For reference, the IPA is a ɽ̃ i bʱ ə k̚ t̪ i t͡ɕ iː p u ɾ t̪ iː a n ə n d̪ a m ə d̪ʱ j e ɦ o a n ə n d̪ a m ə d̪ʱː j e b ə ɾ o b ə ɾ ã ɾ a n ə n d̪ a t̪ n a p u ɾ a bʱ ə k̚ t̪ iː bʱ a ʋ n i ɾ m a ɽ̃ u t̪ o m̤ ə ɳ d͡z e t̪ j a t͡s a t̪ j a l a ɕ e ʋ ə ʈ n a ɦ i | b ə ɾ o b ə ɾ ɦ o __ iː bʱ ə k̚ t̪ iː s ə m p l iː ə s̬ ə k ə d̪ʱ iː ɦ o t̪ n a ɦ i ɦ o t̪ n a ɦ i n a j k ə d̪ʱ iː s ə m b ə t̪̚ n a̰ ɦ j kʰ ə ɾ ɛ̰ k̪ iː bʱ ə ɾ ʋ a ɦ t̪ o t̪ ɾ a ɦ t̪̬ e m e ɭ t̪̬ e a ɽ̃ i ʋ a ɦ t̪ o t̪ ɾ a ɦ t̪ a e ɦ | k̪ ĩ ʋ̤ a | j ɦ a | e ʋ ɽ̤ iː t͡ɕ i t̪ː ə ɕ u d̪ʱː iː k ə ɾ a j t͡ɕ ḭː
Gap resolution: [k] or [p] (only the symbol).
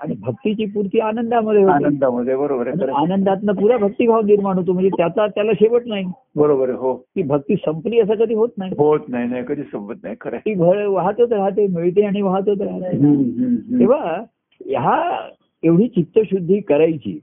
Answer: k